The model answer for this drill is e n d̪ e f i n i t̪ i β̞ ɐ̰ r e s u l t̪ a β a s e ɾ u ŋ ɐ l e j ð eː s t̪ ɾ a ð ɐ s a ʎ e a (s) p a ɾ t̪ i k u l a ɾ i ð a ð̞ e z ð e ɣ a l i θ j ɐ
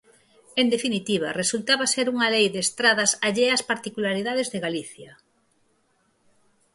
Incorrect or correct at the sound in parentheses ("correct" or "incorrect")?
correct